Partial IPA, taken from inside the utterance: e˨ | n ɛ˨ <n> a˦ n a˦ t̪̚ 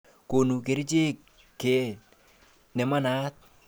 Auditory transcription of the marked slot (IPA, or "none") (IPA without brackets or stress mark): m